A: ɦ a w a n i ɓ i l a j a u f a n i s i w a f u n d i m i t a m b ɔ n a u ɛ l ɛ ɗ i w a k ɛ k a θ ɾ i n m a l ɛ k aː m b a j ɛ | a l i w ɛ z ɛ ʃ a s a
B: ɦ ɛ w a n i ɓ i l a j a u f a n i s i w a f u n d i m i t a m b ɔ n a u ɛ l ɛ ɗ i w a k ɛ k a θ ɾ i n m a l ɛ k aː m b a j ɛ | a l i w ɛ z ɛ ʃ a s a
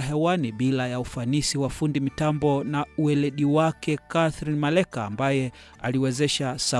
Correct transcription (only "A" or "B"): B